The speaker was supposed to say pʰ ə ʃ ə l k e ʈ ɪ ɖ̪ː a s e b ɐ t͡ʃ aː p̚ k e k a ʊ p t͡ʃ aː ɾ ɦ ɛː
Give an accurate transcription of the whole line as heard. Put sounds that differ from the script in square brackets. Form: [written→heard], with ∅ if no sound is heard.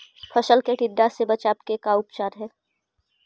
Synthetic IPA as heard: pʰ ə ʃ ə l k e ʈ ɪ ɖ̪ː a s e b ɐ t͡ʃ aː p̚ k e k a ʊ p t͡ʃ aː ɾ ɦ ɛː

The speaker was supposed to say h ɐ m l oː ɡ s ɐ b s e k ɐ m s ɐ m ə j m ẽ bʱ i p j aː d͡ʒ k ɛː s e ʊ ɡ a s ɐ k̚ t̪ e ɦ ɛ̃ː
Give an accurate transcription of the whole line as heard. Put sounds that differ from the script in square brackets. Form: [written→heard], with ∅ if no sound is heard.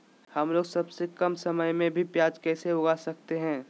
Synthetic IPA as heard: h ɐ m l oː ɡ s ɐ b s e k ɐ m s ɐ m ə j m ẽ bʱ i p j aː d͡ʒ k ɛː s e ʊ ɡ a s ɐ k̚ t̪ e ɦ ɛ̃ː

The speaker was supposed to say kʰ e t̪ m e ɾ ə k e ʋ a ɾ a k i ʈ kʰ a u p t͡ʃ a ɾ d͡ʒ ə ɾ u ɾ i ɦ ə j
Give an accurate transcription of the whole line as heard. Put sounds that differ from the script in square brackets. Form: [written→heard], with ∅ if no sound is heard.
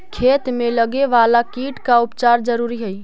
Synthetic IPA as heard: kʰ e t̪ m e [ɾ→l] ə [k→ɡ] e ʋ a [ɾ→l] a k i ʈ [kʰ→k] a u p t͡ʃ a ɾ d͡ʒ ə ɾ u ɾ i ɦ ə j

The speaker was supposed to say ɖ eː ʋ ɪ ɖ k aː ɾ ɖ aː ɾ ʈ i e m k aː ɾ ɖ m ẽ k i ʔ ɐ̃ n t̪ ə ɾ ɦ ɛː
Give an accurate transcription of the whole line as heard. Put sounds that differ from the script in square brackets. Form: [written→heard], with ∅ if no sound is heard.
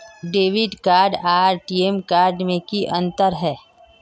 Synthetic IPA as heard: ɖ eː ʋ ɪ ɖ k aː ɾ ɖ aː ɾ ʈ i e m k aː ɾ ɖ m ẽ k i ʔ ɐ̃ n t̪ ə ɾ ɦ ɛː

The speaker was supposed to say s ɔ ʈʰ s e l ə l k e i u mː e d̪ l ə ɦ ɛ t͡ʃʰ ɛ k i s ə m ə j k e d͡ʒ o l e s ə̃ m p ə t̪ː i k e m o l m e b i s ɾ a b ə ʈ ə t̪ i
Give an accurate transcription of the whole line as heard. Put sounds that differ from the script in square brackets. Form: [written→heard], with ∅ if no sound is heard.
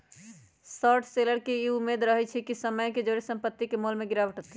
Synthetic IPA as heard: s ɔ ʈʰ s e l ə [l→ɾ] k e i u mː e d̪ [l→ɾ] ə ɦ ɛ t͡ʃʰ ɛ k i s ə m ə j k e d͡ʒ o [l→ɾ] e s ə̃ m p ə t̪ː i k e m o l m e [b→ɡ] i [s→∅] ɾ a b ə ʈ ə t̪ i

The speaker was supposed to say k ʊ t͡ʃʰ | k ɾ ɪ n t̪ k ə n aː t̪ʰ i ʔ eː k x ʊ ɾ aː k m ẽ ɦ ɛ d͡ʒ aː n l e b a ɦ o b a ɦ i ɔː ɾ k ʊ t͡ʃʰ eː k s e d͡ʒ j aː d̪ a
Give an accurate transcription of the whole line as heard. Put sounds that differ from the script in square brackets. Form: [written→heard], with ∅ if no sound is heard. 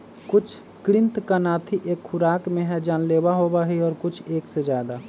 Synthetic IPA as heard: k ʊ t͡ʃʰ | k ɾ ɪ n t̪ k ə n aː t̪ʰ i ʔ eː k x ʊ ɾ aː k m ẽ ɦ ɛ d͡ʒ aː n l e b a ɦ o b a ɦ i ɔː ɾ k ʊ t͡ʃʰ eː k s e d͡ʒ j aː d̪ a

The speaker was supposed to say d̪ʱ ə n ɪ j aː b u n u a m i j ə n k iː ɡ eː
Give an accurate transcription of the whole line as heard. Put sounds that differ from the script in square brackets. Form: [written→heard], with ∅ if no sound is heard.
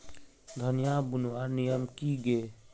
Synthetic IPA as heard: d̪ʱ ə n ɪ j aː b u n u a [m→n] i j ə [n→m] k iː ɡ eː

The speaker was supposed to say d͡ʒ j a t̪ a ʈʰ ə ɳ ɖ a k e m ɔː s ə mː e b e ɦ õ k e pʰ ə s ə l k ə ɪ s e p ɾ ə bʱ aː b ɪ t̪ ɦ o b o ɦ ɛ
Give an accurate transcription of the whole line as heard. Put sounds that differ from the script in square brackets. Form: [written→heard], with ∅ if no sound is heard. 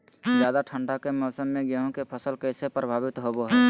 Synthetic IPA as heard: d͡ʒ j a [t̪→d̪] a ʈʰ ə ɳ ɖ a k e m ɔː s ə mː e [b→ɡ] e ɦ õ k e pʰ ə s ə l k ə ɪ s e p ɾ ə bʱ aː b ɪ t̪ ɦ o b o ɦ ɛ

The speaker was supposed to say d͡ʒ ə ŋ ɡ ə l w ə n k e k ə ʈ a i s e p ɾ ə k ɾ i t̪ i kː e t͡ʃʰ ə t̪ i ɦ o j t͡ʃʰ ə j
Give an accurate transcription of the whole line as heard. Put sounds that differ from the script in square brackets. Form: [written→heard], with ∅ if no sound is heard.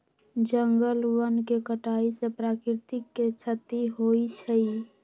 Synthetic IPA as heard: d͡ʒ ə ŋ ɡ ə l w ə n k e k ə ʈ a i s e p ɾ [ə→a] k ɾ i t̪ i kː e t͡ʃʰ ə t̪ i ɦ o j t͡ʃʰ ə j

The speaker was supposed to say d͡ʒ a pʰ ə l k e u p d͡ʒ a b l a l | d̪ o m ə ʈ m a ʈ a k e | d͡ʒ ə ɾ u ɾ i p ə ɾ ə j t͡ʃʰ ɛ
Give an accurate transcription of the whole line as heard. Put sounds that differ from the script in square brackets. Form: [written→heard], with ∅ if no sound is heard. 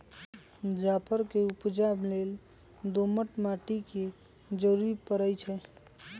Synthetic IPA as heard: d͡ʒ a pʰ ə [l→ɾ] k e u p d͡ʒ a b l [a→e] l | d̪ o m ə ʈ m a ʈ [a→i] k e | d͡ʒ ə ɾ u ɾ i p ə ɾ ə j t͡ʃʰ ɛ

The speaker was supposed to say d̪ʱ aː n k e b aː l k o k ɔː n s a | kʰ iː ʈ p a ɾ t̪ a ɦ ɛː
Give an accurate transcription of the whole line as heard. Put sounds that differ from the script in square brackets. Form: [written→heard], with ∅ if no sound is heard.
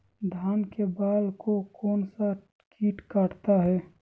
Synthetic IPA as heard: d̪ʱ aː n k e b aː l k o k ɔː n s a | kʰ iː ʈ [p→k] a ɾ t̪ a ɦ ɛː

